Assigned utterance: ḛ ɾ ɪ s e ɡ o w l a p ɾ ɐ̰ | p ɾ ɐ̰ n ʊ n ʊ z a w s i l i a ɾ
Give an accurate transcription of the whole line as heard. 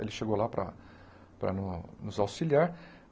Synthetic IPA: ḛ l ɪ ʃ e ɡ o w l a p ɾ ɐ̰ | p ɾ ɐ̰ n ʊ n ʊ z a w s i l i a ɾ